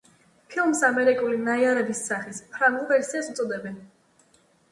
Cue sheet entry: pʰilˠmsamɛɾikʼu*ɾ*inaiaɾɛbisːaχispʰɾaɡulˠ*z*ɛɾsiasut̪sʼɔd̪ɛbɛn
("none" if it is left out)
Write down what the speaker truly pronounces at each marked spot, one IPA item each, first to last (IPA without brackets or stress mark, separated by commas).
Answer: l, v